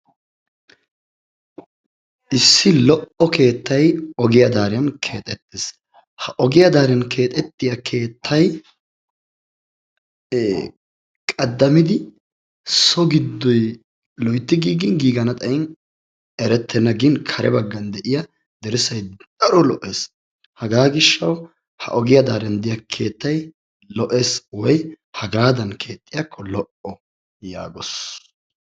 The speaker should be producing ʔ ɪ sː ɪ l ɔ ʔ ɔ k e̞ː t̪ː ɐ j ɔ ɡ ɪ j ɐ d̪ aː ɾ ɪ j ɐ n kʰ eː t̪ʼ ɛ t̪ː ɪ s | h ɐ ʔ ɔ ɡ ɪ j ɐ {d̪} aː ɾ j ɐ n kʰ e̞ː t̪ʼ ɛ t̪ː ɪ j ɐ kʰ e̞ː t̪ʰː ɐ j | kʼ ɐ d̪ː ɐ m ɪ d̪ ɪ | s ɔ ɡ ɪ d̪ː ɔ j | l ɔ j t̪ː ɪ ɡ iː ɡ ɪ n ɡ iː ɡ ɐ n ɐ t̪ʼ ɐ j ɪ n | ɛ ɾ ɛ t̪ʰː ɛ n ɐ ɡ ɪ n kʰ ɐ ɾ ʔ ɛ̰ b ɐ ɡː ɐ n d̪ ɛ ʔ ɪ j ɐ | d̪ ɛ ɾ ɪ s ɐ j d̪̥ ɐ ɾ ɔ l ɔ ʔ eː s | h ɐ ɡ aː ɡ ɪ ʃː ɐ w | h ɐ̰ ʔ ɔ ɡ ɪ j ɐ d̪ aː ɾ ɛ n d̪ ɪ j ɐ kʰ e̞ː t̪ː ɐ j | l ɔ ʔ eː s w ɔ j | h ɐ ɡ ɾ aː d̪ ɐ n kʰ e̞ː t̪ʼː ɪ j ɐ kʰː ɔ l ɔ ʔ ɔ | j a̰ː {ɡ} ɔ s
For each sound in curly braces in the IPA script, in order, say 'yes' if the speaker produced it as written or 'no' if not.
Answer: yes, yes

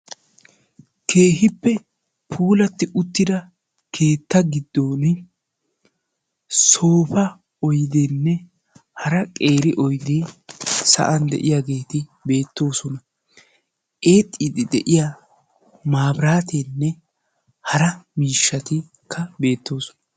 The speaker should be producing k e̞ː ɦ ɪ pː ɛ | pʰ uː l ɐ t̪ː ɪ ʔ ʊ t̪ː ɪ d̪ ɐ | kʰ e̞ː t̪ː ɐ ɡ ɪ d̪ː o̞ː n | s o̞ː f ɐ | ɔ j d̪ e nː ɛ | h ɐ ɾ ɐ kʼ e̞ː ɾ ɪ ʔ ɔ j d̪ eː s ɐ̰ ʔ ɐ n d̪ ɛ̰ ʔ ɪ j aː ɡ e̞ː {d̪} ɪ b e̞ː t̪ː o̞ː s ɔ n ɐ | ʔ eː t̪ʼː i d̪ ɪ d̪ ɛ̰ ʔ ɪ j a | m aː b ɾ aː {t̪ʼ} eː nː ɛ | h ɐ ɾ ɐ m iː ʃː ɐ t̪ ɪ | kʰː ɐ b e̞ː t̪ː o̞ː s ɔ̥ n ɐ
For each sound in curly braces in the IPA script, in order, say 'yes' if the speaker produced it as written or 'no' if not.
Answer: no, no

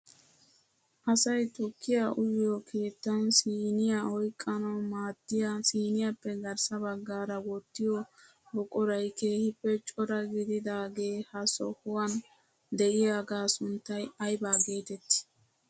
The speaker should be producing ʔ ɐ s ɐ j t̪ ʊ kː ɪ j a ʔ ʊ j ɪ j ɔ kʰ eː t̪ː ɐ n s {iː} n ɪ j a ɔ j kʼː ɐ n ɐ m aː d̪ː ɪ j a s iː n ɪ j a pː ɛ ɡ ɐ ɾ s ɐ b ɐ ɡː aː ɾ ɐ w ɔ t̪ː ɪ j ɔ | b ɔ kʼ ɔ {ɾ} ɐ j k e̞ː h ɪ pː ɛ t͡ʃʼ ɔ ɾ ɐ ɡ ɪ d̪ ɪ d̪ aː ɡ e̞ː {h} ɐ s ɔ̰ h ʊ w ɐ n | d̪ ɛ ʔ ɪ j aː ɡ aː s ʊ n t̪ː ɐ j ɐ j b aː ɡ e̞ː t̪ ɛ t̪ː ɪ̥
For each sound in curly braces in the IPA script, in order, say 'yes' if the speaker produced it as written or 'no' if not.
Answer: yes, yes, yes

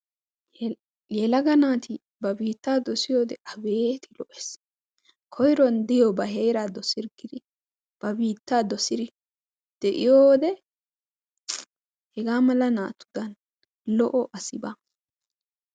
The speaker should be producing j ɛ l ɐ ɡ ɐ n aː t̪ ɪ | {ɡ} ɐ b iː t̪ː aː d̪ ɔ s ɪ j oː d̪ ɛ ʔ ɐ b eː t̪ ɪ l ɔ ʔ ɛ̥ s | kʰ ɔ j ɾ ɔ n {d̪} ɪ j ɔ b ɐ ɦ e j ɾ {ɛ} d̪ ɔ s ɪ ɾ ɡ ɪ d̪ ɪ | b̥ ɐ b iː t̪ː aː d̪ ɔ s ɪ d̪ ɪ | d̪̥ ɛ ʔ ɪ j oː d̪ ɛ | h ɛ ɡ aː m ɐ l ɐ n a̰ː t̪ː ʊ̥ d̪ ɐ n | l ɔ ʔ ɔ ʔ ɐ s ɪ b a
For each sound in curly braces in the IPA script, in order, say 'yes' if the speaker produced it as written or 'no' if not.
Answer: no, yes, no

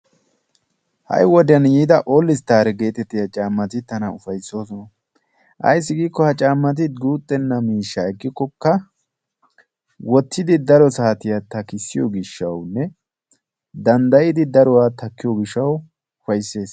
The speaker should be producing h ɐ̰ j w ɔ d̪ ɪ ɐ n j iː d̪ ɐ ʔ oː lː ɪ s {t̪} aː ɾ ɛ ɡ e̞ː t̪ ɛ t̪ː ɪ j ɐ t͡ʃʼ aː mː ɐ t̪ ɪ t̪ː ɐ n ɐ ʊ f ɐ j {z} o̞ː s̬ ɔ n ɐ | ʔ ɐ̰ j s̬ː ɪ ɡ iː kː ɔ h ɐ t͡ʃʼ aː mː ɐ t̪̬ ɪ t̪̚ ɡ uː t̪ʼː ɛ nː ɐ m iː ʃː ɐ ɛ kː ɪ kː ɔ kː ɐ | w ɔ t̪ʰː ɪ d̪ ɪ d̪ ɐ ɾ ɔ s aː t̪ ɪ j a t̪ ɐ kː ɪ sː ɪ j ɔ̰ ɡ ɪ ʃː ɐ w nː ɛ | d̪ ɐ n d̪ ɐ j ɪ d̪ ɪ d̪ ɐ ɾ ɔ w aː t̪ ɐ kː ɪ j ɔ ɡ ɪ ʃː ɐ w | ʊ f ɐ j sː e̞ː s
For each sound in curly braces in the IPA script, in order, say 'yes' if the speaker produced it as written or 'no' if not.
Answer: yes, no

